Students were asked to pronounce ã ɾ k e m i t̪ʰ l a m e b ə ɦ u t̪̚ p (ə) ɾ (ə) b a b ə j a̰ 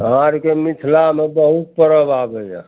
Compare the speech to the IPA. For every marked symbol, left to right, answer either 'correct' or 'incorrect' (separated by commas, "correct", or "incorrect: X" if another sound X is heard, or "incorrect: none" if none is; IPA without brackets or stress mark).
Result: correct, correct